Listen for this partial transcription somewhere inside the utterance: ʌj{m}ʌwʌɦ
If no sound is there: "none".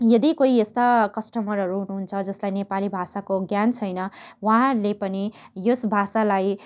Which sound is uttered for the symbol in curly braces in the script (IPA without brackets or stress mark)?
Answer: n